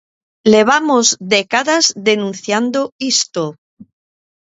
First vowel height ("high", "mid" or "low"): mid